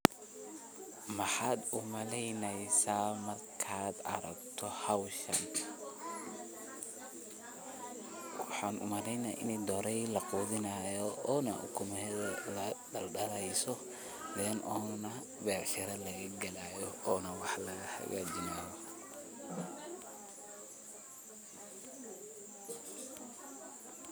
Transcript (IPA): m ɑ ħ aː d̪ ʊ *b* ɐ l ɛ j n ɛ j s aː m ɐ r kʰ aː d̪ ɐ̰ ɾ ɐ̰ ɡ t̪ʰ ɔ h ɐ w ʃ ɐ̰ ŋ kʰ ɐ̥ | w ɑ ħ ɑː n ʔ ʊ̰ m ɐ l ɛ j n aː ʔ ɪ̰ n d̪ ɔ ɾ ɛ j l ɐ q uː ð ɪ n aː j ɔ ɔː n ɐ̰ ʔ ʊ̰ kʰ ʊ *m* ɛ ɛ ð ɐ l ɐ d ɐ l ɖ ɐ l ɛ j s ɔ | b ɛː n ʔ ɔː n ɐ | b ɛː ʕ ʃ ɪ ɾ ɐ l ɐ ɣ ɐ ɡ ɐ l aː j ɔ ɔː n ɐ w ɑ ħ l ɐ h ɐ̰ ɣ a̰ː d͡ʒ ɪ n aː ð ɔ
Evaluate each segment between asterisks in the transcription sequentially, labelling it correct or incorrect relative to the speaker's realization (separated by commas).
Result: incorrect, correct